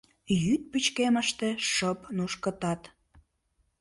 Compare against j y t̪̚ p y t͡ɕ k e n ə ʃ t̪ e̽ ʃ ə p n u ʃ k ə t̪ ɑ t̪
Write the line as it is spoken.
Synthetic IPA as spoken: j y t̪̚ p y t͡ɕ k e m ə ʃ t̪ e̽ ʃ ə p n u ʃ k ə t̪ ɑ t̪

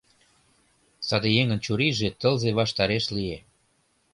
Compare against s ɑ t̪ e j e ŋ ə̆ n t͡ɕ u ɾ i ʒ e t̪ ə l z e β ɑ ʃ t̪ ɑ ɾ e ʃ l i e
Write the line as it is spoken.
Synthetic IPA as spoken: s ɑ d̪ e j e ŋ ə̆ n t͡ɕ u ɾ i ʒ e t̪ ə l z e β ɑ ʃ t̪ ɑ ɾ e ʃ l i e

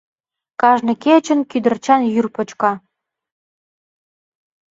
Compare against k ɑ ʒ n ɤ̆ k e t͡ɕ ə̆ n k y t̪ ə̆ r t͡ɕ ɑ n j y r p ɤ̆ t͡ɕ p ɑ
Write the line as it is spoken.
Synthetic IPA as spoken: k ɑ ʒ n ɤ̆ k e t͡ɕ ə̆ n k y d̪ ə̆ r t͡ɕ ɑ n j y r p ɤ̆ t͡ɕ k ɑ

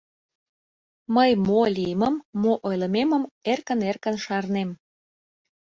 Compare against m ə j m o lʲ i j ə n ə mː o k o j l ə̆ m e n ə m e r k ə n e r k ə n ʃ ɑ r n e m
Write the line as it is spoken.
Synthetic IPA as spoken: m ə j m o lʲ i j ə m ə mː o ʔ o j l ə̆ m e m ə m e r k ə n e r k ə n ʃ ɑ r n e m

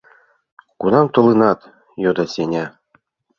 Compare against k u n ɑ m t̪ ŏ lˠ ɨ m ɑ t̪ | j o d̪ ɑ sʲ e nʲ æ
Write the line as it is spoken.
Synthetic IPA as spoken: k u n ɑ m t̪ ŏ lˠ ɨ n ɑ t̪ | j o d̪ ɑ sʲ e nʲ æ

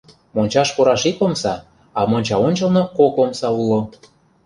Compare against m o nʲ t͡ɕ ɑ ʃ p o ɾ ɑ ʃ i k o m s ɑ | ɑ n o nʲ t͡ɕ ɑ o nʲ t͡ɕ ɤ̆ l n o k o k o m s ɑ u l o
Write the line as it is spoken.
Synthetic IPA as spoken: m o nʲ t͡ɕ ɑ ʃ p o ɾ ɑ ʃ i k o m s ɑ | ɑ m o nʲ t͡ɕ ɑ o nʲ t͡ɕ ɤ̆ l n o k o k o m s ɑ u l o

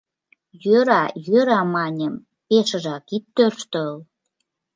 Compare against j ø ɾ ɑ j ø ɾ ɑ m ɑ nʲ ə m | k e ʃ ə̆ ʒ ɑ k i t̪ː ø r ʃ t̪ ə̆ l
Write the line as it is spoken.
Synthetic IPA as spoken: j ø ɾ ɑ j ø ɾ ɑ m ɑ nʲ ə m | p e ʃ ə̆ ʒ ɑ k i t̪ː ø r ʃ t̪ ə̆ l

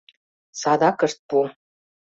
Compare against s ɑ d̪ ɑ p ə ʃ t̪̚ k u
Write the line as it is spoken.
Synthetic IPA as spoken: s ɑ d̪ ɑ k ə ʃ t̪̚ p u

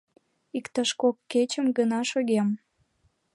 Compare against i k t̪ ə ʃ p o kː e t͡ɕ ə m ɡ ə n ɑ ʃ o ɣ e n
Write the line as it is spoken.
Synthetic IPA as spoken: i k t̪ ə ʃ k o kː e t͡ɕ ə m ɡ ə n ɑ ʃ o ɣ e m

